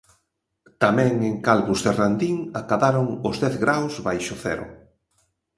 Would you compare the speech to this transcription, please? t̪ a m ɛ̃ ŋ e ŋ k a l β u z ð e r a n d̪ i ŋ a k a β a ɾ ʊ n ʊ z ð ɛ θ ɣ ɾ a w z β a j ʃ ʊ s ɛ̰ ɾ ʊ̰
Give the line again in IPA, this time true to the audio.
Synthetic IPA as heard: t̪ a m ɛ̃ ŋ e ŋ k a l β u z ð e r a n d̪ i ŋ a k a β a ɾ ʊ ŋ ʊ z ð ɛ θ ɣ ɾ a w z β a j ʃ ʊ θ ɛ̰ ɾ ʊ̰